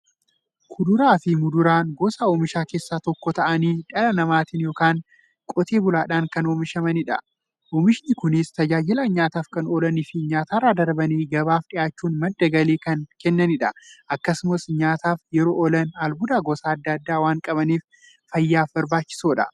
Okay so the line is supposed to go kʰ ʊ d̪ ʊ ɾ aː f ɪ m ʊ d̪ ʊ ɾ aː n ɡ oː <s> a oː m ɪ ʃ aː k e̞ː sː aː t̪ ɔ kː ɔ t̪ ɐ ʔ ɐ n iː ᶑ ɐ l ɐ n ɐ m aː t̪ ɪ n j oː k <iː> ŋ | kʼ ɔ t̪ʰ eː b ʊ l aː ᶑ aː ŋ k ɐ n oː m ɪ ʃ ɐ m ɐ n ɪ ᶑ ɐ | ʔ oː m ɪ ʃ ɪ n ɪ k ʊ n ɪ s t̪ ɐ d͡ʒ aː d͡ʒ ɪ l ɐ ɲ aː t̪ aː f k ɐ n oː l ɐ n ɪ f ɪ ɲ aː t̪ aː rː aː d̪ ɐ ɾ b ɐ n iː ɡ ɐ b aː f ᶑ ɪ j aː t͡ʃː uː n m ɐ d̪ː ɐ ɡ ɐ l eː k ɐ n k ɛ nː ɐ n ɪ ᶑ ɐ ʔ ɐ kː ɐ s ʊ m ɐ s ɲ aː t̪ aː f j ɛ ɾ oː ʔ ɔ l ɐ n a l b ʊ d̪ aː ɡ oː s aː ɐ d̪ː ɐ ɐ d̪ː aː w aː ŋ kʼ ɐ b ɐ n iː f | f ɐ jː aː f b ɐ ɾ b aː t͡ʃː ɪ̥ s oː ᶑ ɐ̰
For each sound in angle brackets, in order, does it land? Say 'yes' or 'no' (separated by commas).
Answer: yes, no